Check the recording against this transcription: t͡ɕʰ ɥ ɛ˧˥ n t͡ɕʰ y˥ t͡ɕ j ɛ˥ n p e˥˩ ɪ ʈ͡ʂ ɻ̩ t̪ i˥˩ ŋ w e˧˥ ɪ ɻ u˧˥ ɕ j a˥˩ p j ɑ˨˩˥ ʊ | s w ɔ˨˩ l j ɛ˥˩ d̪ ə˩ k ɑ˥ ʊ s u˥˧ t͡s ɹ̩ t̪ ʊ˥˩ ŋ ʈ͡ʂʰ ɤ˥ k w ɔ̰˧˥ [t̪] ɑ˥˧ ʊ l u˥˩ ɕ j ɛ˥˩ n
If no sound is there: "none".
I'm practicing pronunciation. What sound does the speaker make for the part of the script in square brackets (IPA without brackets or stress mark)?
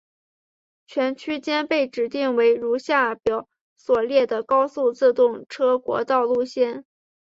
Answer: t̪